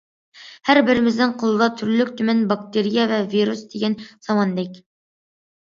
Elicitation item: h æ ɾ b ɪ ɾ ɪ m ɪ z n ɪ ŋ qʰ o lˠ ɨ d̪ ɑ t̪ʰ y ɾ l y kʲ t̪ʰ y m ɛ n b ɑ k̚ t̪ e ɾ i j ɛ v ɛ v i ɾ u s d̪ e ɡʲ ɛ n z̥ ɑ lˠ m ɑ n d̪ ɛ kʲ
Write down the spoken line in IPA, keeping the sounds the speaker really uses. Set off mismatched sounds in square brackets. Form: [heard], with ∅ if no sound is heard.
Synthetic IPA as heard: h æ ɾ b ɪ ɾ ɪ m ɪ z n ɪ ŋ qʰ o lˠ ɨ d̪ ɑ t̪ʰ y ɾ l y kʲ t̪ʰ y m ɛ n b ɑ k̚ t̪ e ɾ i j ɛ v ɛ v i ɾ u s d̪ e ɡʲ ɛ n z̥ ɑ [∅] m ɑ n d̪ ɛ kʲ